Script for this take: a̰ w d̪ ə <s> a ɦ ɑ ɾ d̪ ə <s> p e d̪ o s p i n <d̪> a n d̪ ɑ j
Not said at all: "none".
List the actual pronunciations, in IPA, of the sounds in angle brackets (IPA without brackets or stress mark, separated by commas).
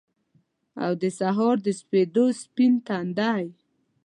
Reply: s, s, t̪